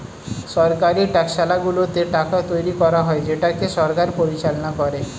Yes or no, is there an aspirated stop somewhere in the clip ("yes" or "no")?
no